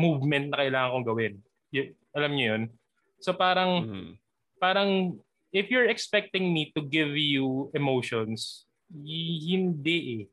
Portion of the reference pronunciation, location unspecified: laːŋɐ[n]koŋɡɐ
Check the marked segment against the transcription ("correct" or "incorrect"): incorrect